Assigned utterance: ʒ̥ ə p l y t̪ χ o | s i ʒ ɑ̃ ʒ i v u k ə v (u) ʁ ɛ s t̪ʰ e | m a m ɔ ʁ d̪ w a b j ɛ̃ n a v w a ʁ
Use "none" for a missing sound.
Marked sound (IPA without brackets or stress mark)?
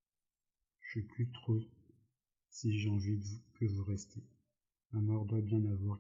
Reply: u